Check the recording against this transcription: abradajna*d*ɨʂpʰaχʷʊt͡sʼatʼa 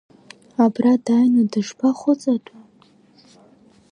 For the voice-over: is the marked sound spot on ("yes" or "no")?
yes